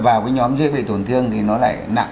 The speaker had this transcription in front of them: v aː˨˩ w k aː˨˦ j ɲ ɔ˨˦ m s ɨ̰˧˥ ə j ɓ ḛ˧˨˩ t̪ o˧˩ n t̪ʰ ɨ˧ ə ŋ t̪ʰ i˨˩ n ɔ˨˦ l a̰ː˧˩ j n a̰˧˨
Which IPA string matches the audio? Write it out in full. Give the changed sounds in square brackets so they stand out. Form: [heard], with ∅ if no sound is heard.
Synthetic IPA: v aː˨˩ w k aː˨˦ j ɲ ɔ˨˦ m [z] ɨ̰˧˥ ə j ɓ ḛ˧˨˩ t̪ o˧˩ n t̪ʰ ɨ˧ ə ŋ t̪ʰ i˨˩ n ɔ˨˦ l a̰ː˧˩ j n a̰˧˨